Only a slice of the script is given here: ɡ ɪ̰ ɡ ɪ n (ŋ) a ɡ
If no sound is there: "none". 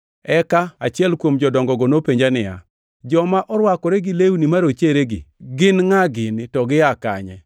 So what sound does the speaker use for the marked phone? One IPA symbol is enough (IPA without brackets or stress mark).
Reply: ŋ